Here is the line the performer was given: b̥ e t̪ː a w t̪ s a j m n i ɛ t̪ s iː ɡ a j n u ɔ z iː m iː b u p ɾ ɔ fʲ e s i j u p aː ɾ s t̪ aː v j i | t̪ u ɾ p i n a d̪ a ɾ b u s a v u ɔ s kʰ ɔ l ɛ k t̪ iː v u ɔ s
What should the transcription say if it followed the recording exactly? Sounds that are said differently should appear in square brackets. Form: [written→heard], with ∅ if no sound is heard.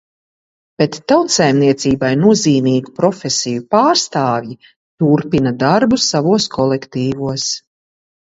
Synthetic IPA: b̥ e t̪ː a w t̪ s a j m n i ɛ t̪ s iː [ɡ→b] a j n u ɔ z iː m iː [b→ɡ] u p ɾ ɔ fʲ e s i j u p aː ɾ s t̪ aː v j i | t̪ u ɾ p i n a d̪ a ɾ b u s a v u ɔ s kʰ ɔ l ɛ k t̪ iː v u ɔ s